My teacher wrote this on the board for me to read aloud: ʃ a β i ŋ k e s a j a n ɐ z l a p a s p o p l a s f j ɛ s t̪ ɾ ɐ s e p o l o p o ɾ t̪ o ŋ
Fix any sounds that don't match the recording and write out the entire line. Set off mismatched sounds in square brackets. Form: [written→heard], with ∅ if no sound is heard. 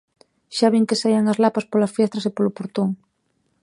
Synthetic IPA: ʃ a β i ŋ k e s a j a [n→ŋ] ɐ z l a p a s p o [p→∅] l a s f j ɛ s t̪ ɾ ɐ s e p o l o p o ɾ t̪ o ŋ

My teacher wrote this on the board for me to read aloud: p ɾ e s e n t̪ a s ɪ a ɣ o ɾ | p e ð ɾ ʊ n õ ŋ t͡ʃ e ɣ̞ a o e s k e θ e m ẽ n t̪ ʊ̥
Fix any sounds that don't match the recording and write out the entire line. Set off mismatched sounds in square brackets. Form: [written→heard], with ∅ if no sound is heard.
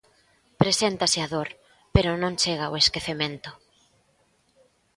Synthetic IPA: p ɾ e s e n t̪ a s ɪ a [ɣ→ð] o ɾ | p e [ð→∅] ɾ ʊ n õ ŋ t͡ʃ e ɣ̞ a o e s k e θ e m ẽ n t̪ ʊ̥

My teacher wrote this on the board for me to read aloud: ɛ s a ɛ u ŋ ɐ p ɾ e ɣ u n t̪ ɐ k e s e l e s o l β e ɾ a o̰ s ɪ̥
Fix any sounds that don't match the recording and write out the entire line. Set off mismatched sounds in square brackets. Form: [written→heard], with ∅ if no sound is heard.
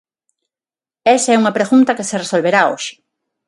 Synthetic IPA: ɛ s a ɛ u ŋ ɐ p ɾ e ɣ u n t̪ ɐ k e s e [l→r] e s o l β e ɾ a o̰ [s→ʃ] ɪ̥

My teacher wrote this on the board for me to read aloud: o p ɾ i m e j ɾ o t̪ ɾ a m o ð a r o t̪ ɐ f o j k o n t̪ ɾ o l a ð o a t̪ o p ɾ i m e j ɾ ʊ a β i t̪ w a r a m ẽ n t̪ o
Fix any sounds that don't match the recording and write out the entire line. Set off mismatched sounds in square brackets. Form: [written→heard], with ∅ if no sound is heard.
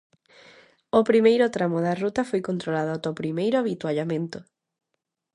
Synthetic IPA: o p ɾ i m e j ɾ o t̪ ɾ a m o ð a r [o→u] t̪ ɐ f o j k o n t̪ ɾ o l a ð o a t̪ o p ɾ i m e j ɾ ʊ a β i t̪ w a [r→ʎ] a m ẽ n t̪ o

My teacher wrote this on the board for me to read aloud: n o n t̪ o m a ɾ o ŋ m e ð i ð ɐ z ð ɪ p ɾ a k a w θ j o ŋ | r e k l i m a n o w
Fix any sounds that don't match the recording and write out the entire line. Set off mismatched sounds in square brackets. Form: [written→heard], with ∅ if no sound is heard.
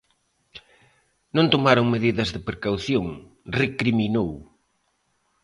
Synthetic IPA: n [o→õ] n t̪ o m a ɾ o ŋ m e ð i ð ɐ z ð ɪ p ɾ [a→e] k a w θ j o ŋ | r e k [l→ɾ] i m [a→i] n o w

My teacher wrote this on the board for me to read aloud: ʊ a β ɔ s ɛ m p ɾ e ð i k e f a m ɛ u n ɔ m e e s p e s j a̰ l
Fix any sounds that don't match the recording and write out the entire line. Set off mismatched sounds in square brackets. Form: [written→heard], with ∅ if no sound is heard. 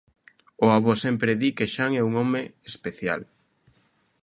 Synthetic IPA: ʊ a β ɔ s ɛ m p ɾ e ð i k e [f→ʃ] a [m→ŋ] ɛ u [n→ŋ] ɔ m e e s p e [s→θ] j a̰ l

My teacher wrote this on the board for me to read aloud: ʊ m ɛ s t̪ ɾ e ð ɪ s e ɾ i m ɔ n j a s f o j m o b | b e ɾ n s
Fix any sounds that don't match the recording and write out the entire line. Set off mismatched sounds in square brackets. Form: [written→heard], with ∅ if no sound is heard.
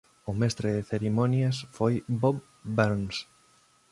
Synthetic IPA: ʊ m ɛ s t̪ ɾ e ð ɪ [s→θ] e ɾ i m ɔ n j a s f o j [m→b] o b | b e ɾ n s

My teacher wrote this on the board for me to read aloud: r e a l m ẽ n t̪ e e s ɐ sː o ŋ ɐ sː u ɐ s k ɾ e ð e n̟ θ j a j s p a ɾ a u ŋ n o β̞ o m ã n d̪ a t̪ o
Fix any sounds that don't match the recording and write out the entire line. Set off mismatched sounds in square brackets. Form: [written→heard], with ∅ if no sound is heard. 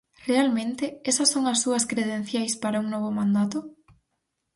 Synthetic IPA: r e a l m ẽ n t̪ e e s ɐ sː o ŋ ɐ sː u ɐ s k ɾ e ð e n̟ θ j a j s p a ɾ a u ŋ n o β̞ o m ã n d̪ a t̪ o

